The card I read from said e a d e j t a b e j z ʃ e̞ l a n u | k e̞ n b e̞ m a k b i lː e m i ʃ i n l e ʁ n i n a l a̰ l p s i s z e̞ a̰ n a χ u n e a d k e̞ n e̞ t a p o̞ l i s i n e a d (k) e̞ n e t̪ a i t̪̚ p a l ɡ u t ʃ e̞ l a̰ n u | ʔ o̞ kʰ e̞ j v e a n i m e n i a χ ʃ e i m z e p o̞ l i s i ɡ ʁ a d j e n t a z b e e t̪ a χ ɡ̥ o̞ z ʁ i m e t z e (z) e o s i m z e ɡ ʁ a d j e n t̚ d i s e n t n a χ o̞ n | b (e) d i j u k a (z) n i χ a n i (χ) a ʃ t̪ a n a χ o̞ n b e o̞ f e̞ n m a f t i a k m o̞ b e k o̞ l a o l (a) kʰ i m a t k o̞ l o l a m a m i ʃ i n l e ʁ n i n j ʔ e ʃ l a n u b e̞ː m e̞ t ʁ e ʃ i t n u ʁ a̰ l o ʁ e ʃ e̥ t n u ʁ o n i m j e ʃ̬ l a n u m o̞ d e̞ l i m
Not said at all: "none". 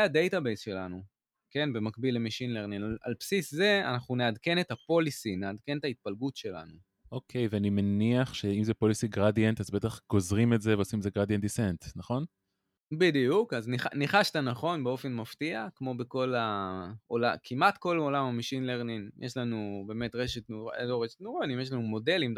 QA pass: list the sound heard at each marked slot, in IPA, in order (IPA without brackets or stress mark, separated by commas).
k, v, i, z, χ, a